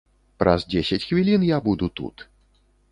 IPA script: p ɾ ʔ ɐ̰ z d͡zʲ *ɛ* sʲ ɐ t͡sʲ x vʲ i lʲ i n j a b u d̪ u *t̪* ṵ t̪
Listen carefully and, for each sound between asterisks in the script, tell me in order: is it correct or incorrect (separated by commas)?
incorrect, correct